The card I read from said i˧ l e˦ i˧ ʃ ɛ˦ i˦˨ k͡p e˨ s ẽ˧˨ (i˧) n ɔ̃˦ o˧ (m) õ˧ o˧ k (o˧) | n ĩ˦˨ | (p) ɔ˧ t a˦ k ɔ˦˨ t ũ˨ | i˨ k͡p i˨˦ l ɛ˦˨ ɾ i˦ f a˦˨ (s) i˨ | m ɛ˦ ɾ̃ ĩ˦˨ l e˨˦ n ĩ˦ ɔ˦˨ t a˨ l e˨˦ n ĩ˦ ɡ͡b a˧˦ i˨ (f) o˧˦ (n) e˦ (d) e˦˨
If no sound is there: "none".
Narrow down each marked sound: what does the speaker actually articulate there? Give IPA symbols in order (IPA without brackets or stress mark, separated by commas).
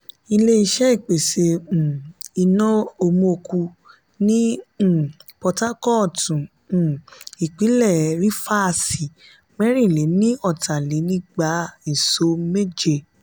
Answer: i˧, m, u˧, p, s, s, m, d͡ʒ